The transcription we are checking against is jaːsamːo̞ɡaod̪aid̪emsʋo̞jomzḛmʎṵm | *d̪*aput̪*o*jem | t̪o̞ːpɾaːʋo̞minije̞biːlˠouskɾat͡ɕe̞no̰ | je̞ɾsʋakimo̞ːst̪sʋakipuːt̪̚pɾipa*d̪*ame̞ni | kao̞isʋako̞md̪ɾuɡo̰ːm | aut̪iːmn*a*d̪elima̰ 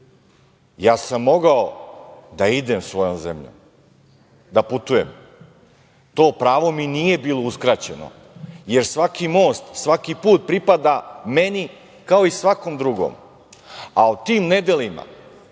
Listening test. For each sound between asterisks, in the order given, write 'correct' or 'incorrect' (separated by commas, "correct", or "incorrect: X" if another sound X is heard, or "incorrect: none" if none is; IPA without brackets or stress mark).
correct, incorrect: u, correct, incorrect: e